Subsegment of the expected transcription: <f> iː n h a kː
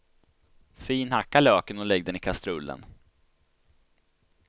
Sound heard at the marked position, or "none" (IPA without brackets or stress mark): f